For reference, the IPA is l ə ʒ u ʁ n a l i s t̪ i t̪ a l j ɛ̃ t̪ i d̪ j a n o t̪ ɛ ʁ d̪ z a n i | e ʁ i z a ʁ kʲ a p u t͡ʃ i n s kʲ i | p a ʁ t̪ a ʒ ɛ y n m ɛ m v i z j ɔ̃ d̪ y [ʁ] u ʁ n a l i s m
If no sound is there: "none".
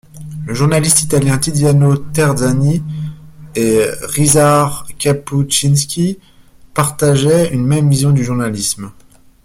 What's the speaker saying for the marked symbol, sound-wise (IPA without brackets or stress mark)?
ʒ